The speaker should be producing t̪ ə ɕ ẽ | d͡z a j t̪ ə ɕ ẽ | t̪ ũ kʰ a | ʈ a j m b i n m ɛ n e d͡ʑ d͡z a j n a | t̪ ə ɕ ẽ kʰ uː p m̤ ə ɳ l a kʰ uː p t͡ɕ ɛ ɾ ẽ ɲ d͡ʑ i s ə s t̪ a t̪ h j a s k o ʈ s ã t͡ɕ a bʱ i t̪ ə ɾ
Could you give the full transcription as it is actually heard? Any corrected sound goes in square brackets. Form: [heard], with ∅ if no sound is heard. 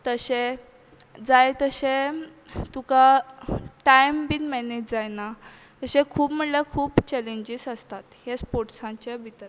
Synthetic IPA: t̪ ə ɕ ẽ | d͡z a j t̪ ə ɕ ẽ | t̪ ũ [k] a | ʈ a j m b i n m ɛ n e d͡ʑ d͡z a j n a | t̪ ə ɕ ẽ kʰ uː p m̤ ə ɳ l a kʰ uː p t͡ɕ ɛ [l] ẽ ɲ d͡ʑ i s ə s t̪ a t̪ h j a s [p] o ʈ s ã t͡ɕ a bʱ i t̪ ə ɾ